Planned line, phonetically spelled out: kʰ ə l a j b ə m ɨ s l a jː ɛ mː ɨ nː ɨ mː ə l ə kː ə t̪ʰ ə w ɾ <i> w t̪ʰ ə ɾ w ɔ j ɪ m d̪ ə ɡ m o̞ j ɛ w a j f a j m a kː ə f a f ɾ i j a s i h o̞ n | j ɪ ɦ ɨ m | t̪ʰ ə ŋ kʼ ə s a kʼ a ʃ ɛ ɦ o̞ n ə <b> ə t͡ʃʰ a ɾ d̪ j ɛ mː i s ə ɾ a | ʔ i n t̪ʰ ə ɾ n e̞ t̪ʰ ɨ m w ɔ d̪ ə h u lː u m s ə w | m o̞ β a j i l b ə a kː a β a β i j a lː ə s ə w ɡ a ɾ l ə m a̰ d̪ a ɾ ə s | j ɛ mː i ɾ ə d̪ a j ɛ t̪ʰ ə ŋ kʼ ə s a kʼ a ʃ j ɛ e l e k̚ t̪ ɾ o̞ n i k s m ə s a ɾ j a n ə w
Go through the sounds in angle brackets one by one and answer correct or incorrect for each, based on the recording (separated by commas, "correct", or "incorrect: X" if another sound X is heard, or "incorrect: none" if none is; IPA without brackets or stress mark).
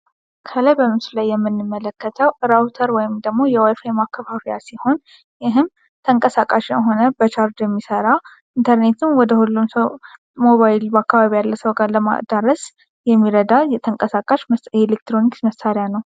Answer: incorrect: a, correct